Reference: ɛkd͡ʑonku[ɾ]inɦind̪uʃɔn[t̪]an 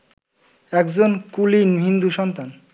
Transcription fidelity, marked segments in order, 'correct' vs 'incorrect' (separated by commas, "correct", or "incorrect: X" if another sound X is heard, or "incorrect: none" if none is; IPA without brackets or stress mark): incorrect: l, correct